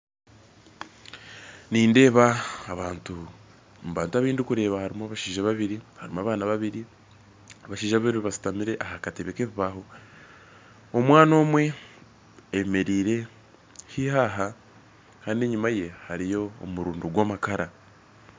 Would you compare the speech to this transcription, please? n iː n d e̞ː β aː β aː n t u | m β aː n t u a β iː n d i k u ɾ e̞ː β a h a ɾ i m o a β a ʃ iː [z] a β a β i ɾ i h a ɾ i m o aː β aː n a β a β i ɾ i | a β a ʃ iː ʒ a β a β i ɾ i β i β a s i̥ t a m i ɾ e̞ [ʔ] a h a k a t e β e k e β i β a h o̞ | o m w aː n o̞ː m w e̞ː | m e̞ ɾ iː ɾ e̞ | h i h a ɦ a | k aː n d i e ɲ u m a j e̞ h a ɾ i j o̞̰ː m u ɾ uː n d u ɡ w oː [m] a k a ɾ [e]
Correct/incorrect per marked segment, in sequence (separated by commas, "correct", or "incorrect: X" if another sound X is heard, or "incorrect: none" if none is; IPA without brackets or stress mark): incorrect: ʒ, correct, correct, incorrect: a